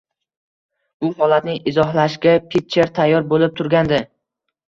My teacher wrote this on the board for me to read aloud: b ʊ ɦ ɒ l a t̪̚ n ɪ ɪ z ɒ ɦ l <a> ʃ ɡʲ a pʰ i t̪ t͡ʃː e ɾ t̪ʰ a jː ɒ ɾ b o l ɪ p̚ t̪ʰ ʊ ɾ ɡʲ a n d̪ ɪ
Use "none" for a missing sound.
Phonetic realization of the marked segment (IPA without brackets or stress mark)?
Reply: a